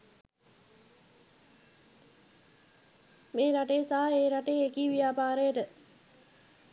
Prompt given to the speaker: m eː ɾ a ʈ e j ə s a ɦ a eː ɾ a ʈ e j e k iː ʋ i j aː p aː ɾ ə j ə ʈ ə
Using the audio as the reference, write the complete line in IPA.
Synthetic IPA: m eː ɾ a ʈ e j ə s a ɦ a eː ɾ a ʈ e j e k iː ʋ i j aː p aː ɾ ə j ə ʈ ə

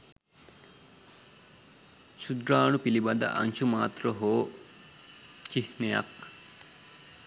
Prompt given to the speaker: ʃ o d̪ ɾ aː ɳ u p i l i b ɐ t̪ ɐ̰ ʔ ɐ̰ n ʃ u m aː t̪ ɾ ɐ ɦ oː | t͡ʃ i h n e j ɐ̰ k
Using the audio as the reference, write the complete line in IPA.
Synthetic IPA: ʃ u d̪ ɾ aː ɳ u p i l i b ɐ d̪ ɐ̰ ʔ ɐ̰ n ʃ u m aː t̪ ɾ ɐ ɦ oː | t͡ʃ i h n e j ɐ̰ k

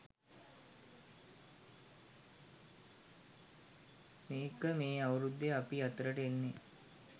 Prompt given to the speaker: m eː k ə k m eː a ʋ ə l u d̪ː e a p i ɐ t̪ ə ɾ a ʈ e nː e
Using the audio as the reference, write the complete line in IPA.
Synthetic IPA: m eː k ə m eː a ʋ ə ɾ u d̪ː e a p i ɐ t̪ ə ɾ ə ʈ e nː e

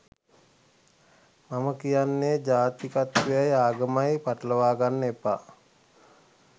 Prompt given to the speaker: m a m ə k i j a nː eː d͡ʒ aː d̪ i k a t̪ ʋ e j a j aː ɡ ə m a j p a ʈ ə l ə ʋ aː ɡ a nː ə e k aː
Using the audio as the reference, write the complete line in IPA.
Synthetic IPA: m a m ə k i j a nː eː d͡ʒ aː t̪ i k a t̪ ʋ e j a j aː ɡ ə m a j p a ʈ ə l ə ʋ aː ɡ a nː ə e p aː

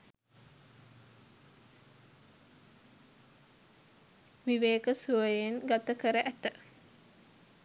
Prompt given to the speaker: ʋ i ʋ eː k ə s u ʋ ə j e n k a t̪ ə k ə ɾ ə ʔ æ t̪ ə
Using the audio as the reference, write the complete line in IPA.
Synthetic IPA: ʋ i ʋ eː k ə s u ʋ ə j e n ɡ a t̪ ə k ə ɾ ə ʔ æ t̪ ə

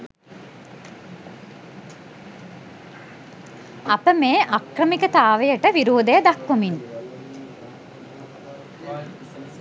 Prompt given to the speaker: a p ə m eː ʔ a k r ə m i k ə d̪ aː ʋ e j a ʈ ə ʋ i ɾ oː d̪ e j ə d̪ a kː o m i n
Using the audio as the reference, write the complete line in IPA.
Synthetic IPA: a p ə m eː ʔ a k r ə m i k ə t̪ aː ʋ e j ə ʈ ə ʋ i ɾ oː d̪ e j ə d̪ a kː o m i n

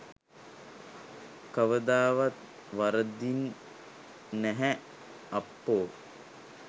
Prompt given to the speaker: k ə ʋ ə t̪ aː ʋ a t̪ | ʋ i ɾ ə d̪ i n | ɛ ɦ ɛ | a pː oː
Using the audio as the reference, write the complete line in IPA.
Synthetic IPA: k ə ʋ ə d̪ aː ʋ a t̪ | ʋ a ɾ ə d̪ i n | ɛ ɦ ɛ | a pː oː

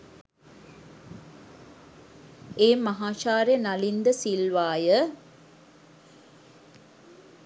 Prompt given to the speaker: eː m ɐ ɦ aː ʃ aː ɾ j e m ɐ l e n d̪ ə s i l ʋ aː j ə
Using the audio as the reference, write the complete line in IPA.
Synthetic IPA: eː m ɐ ɦ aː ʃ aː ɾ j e n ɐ l i n d̪ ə s i l ʋ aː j ə

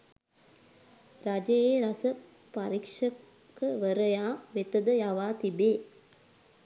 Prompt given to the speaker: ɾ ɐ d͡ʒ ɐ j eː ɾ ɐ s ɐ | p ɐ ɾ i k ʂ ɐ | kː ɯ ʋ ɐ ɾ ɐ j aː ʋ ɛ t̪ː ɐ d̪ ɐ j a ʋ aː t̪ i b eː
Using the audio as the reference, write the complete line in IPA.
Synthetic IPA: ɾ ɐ d͡ʒ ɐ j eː ɾ ɐ s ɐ | p ɐ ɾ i k ʂ ɐ | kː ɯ ʋ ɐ ɾ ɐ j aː ʋ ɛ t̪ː ɐ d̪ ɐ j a ʋ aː t̪ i b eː

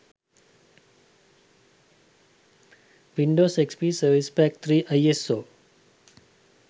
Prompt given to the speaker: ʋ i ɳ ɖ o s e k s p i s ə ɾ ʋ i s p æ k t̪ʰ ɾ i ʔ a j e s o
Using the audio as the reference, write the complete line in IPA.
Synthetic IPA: ʋ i ɳ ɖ o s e k s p i s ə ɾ ʋ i s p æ k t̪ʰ ɾ i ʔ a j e s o

